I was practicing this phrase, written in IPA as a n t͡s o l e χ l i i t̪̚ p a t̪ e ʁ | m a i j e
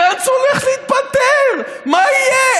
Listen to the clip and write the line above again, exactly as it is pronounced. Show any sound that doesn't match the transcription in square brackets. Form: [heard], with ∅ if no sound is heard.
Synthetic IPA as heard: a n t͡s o l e χ l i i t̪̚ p a t̪ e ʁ | m a i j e